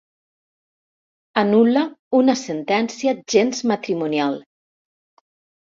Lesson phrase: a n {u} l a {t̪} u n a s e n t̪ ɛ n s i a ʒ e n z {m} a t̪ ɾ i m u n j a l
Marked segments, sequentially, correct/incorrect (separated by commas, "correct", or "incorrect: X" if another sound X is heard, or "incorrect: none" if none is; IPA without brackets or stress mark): correct, incorrect: none, correct